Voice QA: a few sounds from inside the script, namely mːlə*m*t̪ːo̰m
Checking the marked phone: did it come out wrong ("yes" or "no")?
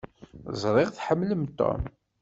no